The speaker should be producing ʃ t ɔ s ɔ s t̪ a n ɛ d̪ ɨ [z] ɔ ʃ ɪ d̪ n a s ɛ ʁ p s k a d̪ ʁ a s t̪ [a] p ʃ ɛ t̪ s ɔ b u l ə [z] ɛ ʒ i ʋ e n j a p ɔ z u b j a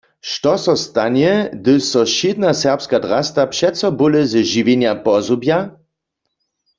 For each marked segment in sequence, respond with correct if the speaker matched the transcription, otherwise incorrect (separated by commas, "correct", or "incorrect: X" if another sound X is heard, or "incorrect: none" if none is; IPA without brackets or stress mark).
incorrect: s, correct, correct